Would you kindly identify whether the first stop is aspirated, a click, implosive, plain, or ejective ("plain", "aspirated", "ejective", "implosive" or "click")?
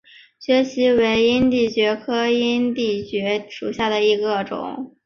plain